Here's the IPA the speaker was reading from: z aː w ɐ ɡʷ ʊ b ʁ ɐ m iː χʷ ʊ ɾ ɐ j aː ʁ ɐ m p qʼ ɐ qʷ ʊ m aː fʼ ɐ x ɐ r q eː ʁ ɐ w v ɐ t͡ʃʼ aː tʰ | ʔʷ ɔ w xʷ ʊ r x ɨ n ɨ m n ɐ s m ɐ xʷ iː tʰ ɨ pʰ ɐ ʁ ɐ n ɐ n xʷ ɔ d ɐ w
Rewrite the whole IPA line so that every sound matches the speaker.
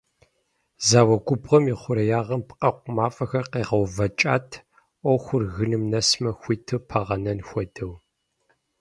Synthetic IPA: z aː w ɐ ɡʷ ʊ b ʁ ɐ m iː χʷ ʊ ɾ ɐ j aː ʁ ɐ m p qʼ ɐ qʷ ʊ m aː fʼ ɐ x ɐ r q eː ʁ ɐ w v ɐ t͡ʃʼ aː tʰ | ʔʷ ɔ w xʷ ʊ r ɣ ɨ n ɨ m n ɐ s m ɐ xʷ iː tʰ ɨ pʰ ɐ ʁ ɐ n ɐ n xʷ ɔ d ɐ w

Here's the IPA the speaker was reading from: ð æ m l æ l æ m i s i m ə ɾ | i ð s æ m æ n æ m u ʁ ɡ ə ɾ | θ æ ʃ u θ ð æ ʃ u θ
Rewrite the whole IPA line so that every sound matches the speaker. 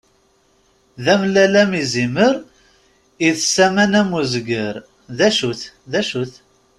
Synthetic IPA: ð æ m l æ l æ m i z i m ə ɾ | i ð s æ m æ n æ m u z ɡ ə ɾ | ð æ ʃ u θ ð æ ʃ u θ

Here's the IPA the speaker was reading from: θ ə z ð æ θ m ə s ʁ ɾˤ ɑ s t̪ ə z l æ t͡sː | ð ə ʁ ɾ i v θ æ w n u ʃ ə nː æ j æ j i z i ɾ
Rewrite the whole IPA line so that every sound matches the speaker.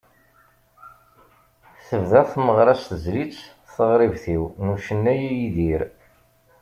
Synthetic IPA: θ ə v ð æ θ m ə ʁ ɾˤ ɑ s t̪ ə z l i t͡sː | θ ə ʁ ɾ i v θ i w n u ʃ ə nː æ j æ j i ð i ɾ

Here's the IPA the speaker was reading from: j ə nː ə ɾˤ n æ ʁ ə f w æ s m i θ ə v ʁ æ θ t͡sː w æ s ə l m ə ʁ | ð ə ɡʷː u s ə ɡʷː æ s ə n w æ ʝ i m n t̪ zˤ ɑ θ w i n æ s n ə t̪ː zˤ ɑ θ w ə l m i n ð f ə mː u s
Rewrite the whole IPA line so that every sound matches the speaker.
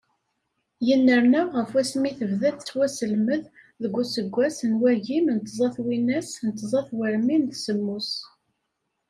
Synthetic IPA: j ə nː ə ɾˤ n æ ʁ ə f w æ s m i θ ə v ð æ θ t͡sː w æ s ə l m ə ð | ð ə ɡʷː u s ə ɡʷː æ s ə n w æ ʝ i m n t̪ zˤ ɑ θ w i n æ s n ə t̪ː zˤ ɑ θ w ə ɾ m i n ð s ə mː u s

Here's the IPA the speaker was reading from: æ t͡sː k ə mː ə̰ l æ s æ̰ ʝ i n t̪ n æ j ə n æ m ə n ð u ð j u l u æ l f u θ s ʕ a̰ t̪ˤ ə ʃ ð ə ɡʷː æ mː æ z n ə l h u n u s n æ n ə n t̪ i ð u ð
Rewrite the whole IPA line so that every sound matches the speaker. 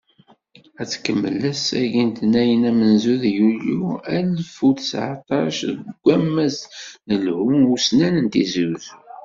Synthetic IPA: æ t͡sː k ə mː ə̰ l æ s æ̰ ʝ i n t̪ n æ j ə n æ m ə n z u ð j u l u æ l f u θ s ʕ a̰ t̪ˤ ɑ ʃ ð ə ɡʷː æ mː æ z n ə l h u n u s n æ n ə n t̪ i z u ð

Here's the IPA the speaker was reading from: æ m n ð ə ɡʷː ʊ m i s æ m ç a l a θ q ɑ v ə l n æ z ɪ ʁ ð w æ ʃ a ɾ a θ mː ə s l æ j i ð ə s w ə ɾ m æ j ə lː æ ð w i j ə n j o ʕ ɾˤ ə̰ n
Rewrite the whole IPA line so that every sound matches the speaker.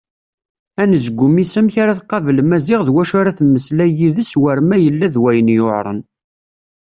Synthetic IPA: æ n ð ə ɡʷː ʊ m i s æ m ç a ɾ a θ q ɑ v ə l m æ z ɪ ʁ ð w æ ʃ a ɾ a θ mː ə s l æ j i ð ə s w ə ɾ m æ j ə lː æ ð w æ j ə n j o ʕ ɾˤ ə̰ n

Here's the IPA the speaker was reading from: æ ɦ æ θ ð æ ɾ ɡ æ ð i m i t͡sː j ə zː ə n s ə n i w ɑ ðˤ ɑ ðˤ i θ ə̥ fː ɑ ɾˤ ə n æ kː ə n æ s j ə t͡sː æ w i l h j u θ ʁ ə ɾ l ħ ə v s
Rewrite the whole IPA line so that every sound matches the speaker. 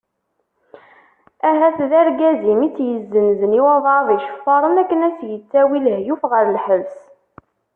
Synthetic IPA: æ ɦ æ θ ð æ ɾ ɡ æ z i m i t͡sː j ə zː ə n z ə n i w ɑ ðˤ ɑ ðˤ i ʃ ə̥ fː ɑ ɾˤ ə n æ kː ə n æ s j ə t͡sː æ w i l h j u f ʁ ə ɾ l ħ ə v s

